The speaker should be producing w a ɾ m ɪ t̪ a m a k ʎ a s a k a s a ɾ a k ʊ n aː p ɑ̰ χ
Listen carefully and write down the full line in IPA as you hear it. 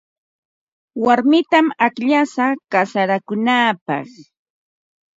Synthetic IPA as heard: w a ɾ m ɪ t̪ a m a k ʎ a s a k a s a ɾ a k ʊ n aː p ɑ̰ χ